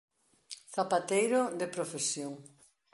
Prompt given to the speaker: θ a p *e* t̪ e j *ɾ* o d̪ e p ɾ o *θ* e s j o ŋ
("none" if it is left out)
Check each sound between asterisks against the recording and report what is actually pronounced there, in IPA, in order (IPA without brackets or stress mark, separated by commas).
a, ɾ, f